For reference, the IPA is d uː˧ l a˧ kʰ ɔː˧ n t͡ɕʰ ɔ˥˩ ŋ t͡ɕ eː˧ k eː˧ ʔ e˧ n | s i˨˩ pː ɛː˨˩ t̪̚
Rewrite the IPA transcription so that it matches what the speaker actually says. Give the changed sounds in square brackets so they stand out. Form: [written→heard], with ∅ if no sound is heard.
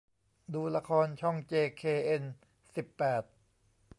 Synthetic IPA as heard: d uː˧ l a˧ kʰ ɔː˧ n t͡ɕʰ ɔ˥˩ ŋ t͡ɕ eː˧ [k→kʰ] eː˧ ʔ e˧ n | s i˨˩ pː ɛː˨˩ t̪̚